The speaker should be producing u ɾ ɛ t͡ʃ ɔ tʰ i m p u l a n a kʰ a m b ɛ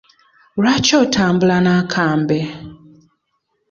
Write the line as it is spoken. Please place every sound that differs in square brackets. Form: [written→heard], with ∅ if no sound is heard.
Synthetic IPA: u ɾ [ɛ→a] t͡ʃ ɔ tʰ [i→a] m [p→b] u l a n a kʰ a m b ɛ